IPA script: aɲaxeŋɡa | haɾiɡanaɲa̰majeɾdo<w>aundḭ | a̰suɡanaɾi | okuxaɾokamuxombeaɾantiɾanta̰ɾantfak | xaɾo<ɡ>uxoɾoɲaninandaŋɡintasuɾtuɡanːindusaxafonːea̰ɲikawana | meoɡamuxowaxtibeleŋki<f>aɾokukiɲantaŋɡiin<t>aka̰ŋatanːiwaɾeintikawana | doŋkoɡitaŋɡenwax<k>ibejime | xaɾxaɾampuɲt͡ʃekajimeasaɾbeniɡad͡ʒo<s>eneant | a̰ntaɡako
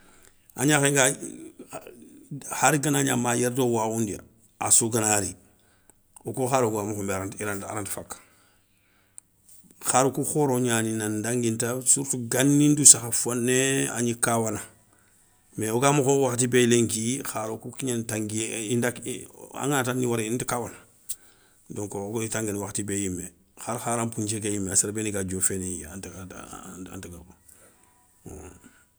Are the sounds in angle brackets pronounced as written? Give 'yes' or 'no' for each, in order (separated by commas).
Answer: yes, no, no, no, no, no